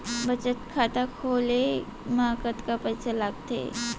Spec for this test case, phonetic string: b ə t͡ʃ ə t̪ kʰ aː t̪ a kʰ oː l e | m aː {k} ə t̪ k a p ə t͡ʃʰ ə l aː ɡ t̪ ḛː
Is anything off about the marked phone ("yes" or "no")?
no